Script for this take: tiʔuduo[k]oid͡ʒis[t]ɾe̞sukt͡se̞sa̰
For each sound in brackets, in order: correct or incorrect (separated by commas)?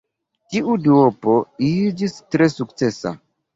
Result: incorrect, correct